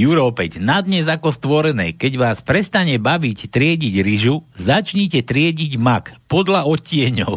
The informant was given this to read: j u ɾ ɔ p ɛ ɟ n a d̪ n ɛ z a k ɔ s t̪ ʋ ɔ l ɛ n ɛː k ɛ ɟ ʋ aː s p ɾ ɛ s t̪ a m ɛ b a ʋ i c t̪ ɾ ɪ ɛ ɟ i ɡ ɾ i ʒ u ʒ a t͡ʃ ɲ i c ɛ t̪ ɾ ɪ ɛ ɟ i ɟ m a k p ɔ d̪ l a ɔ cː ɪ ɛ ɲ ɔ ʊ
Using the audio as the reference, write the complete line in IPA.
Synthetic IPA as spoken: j u ɾ ɔ p ɛ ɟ n a d̪ ɲ ɛ z a k ɔ s t̪ ʋ ɔ ɾ ɛ n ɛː k ɛ ɟ ʋ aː s p ɾ ɛ s t̪ a ɲ ɛ b a ʋ i c t̪ ɾ ɪ ɛ ɟ i ɟ ɾ i ʒ u z a t͡ʃ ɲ i c ɛ t̪ ɾ ɪ ɛ ɟ i ɟ m a k p ɔ d̪ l a ɔ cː ɪ ɛ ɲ ɔ ʊ